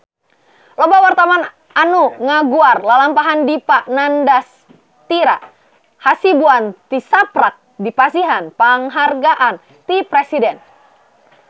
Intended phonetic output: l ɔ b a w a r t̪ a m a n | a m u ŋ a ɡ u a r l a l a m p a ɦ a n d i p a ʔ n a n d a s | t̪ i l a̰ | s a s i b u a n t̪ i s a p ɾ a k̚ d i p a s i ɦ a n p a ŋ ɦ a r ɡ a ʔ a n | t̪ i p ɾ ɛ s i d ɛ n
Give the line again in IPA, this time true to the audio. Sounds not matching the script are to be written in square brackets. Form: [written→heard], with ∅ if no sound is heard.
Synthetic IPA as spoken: l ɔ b a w a r t̪ a m a n | a [m→n] u ŋ a ɡ u a r l a l a m p a ɦ a n d i p a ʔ n a n d a s | t̪ i [l→ɾ] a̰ | [s→h] a s i b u a n t̪ i s a p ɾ a k̚ d i p a s i ɦ a n p a ŋ ɦ a r ɡ a ʔ a n | t̪ i p ɾ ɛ s i d ɛ n